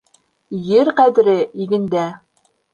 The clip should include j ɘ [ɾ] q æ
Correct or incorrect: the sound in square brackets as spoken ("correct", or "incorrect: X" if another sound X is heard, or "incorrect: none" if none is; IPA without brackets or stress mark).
correct